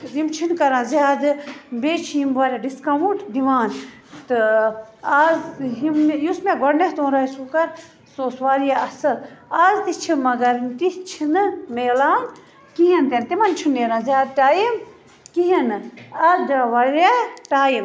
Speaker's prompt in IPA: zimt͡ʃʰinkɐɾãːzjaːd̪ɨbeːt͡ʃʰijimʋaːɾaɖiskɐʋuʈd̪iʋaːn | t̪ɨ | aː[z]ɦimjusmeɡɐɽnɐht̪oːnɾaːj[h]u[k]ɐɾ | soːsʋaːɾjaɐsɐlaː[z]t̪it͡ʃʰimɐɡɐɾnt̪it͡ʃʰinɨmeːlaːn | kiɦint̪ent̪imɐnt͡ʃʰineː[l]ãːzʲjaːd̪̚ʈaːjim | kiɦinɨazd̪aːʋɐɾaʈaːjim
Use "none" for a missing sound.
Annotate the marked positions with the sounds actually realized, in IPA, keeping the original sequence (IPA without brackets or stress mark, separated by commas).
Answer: z, s, k, z, ɾ